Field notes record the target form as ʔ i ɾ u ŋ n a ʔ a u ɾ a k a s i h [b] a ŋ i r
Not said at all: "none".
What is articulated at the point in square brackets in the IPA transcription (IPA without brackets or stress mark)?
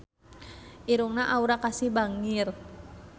b